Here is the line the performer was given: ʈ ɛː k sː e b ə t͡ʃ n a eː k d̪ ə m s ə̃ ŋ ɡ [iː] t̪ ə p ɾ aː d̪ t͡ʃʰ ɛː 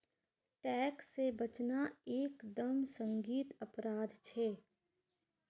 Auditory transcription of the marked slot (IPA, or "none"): iː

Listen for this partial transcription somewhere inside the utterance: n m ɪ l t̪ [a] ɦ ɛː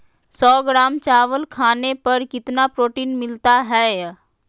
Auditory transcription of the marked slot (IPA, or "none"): a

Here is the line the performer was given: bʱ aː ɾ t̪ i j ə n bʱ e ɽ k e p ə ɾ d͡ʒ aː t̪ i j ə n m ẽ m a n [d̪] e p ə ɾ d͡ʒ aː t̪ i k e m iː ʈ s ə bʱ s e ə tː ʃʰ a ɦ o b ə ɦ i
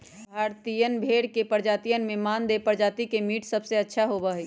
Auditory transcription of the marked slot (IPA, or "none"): d̪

